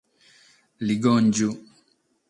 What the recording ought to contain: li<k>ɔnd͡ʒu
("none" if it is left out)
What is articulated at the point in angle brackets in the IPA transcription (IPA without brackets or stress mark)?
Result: ɡ